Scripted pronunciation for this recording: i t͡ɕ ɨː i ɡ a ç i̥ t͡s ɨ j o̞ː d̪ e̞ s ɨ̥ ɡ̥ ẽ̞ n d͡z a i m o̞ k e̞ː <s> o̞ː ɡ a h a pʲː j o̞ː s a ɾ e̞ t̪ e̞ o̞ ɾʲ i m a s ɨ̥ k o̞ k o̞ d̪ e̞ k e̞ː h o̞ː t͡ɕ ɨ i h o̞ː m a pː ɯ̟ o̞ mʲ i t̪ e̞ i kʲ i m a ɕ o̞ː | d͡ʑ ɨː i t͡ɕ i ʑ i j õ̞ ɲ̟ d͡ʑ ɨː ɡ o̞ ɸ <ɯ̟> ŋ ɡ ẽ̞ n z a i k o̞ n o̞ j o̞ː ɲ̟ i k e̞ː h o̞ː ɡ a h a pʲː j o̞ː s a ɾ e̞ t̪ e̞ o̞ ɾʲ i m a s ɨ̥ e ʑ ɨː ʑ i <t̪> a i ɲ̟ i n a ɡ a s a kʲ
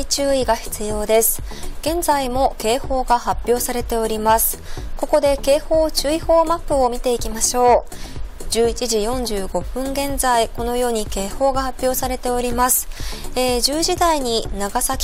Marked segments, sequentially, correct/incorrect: incorrect: h, incorrect: ɯ̟̃, incorrect: d̪

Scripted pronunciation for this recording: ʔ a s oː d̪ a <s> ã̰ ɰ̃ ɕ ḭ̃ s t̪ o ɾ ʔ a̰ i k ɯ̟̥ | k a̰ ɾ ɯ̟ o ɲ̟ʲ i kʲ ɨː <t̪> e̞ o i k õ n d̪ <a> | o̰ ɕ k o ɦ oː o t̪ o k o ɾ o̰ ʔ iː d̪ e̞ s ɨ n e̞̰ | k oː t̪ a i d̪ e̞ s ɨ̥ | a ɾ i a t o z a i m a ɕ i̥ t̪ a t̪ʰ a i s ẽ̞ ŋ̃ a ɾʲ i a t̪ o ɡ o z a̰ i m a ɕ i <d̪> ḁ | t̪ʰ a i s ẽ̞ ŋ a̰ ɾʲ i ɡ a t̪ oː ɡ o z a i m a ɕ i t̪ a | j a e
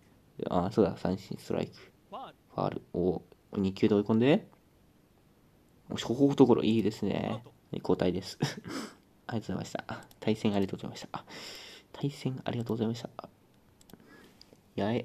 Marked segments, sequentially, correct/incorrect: correct, incorrect: d̪, incorrect: e, incorrect: t̪

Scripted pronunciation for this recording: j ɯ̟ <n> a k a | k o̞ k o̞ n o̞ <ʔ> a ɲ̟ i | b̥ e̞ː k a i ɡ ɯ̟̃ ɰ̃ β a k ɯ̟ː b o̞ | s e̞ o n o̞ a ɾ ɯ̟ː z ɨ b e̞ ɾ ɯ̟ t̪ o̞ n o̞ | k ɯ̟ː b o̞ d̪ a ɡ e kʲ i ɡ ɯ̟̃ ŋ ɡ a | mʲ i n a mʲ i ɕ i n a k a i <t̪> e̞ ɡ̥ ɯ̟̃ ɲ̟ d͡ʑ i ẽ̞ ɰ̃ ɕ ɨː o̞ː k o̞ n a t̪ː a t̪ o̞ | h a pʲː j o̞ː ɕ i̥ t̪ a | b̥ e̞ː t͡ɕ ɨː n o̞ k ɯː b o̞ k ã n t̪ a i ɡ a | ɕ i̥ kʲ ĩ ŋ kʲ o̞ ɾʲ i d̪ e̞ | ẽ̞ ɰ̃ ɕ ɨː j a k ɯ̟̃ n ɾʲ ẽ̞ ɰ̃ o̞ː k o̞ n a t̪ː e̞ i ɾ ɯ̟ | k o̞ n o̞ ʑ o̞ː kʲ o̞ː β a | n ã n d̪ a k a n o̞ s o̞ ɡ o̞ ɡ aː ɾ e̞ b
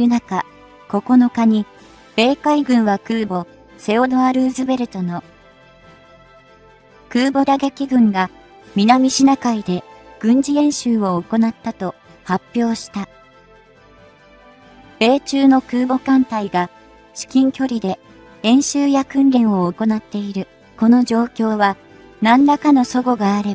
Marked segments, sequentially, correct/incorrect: correct, incorrect: k, incorrect: d̪

